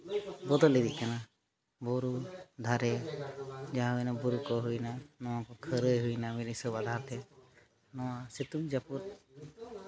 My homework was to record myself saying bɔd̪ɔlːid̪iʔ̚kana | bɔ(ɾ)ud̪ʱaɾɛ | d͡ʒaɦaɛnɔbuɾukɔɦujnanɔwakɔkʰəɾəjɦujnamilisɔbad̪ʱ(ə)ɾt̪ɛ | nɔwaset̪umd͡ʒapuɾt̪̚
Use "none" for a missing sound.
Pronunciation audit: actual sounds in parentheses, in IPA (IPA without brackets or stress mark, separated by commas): ɾ, a